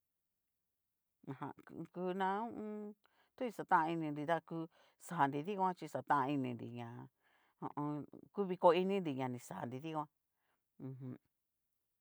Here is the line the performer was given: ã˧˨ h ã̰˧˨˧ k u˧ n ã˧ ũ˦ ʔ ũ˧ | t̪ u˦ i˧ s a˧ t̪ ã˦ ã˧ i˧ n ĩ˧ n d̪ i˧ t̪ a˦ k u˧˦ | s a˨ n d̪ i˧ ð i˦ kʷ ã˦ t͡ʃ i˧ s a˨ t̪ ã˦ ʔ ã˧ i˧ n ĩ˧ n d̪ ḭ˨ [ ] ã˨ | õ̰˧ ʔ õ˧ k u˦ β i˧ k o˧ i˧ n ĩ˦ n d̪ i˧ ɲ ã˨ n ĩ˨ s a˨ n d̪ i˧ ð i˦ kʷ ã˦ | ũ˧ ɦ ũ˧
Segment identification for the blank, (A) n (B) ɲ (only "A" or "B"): B